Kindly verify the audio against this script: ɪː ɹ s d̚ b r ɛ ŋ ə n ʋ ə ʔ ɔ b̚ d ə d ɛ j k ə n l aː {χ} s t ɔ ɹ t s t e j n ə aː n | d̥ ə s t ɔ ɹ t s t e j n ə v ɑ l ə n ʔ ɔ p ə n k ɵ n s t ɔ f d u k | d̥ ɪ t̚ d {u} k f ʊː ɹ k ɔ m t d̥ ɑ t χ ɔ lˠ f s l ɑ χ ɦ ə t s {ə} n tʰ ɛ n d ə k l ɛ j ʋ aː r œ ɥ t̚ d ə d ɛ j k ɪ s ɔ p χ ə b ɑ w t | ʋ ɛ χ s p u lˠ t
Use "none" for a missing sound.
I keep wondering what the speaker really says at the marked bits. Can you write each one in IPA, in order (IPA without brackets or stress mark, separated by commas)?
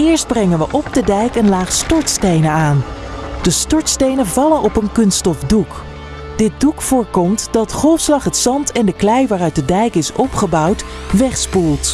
χ, u, ɑ